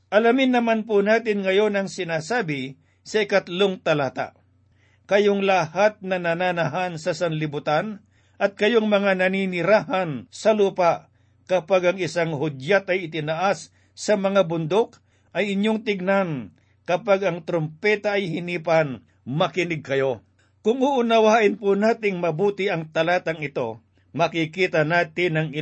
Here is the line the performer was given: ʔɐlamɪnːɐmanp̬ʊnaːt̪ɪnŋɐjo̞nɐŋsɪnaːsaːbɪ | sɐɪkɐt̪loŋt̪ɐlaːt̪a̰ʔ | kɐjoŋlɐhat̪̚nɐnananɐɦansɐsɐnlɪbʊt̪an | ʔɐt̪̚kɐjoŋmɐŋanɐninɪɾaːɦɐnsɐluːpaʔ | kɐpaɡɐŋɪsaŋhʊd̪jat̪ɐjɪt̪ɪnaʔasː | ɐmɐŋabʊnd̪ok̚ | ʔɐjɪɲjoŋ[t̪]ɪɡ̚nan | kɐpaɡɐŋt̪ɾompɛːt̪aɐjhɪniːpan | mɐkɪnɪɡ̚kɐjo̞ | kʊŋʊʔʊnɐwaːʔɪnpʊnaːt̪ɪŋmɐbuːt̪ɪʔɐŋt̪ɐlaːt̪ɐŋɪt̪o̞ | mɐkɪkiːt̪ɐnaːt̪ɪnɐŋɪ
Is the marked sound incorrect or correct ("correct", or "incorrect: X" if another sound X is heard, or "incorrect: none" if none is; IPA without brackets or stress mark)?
correct